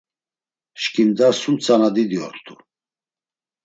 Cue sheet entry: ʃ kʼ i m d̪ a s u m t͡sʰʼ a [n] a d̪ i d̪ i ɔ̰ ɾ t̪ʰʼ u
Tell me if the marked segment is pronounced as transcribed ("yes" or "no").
yes